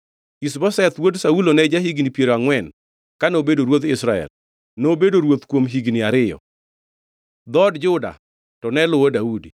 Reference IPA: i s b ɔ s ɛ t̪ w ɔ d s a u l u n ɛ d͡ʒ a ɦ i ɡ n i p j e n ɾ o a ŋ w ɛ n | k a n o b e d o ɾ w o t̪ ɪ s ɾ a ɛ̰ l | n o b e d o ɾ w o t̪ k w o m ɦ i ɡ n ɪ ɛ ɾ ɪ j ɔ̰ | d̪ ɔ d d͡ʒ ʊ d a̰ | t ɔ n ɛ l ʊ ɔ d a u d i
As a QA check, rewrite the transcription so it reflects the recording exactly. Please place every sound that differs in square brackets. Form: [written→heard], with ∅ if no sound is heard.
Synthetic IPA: i s b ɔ s ɛ t̪ w [ɔ→o] d s a u l [u→o] n ɛ d͡ʒ a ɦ i ɡ n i p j e [n→∅] ɾ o a ŋ w ɛ n | k a n o b e d o ɾ w o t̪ ɪ s ɾ a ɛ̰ l | n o b e d o ɾ w o t̪ k w o m ɦ i ɡ n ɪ [ɛ→a] ɾ ɪ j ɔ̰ | d̪ ɔ d d͡ʒ ʊ d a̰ | t ɔ n ɛ l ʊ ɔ d a u d i